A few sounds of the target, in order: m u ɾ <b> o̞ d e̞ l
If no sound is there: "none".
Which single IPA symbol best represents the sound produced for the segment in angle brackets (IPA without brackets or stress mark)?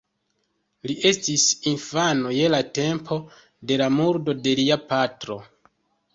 d